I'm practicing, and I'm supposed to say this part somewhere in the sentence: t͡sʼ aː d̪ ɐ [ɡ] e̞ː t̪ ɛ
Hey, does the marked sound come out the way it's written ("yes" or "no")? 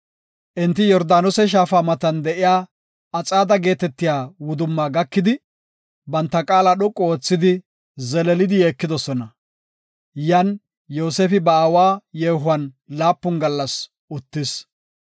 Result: yes